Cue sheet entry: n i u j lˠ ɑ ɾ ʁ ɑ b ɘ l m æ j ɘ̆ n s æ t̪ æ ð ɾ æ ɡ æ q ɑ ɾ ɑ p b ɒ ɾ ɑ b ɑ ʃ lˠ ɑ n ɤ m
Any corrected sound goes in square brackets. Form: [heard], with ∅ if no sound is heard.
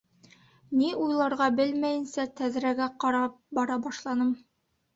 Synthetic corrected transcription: n i u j lˠ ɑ ɾ ʁ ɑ b ɘ l m æ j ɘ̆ n s æ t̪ æ ð ɾ æ ɡ æ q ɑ ɾ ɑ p b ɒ ɾ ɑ b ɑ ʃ lˠ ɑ n ɤ m